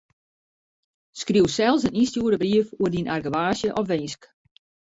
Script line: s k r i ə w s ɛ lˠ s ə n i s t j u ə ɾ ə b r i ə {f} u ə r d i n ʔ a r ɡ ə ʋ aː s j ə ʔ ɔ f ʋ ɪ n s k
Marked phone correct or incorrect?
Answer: correct